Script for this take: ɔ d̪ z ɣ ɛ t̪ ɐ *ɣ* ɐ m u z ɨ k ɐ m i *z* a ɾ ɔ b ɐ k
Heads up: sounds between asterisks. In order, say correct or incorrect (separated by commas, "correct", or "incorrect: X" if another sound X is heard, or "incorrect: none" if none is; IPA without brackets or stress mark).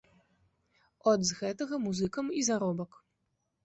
correct, correct